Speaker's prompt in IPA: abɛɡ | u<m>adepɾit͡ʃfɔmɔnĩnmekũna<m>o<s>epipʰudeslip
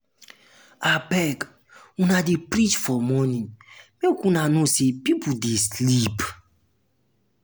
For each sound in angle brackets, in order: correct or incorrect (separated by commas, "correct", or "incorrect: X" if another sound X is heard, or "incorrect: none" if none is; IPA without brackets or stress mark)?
incorrect: n, incorrect: n, correct